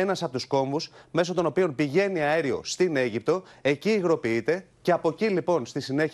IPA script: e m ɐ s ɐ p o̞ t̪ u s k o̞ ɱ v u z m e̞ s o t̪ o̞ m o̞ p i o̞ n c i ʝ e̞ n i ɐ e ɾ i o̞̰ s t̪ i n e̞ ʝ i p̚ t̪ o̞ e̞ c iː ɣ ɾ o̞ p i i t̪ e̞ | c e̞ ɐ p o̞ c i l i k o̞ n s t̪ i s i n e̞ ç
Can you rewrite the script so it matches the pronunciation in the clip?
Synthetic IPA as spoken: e n ɐ s ɐ p o̞ t̪ u s k o̞ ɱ v u s m e̞ s o t̪ o̞ n o̞ p i o̞ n p i ʝ e̞ n i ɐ e ɾ i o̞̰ s t̪ i n e̞ ʝ i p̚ t̪ o̞ e̞ c iː ɣ ɾ o̞ p i i t̪ e̞ | c e̞ ɐ p o̞ c i l i p o̞ n s t̪ i s i n e̞ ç